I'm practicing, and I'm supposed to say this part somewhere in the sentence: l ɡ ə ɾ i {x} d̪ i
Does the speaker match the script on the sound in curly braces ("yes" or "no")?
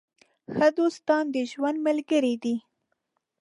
no